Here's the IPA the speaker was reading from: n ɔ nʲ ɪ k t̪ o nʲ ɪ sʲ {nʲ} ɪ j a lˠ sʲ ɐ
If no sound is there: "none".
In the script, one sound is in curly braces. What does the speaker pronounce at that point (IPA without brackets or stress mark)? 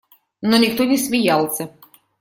mʲ